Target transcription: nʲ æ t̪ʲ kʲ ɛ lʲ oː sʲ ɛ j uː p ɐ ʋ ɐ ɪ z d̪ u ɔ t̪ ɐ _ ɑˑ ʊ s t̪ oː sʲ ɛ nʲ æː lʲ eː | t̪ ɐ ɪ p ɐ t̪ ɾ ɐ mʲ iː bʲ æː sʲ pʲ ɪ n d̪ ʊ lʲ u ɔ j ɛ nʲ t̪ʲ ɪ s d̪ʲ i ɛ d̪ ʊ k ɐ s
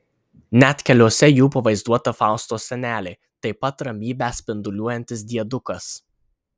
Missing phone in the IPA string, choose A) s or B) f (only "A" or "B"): B